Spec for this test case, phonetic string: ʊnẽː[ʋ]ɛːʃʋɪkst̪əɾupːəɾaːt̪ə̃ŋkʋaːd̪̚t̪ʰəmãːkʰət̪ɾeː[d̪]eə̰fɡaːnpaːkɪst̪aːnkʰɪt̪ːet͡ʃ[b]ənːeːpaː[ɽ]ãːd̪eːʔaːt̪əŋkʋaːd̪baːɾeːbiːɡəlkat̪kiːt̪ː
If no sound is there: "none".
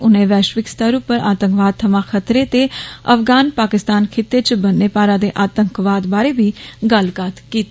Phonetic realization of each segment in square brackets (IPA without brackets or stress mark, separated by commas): ʋ, t̪, b, ɾ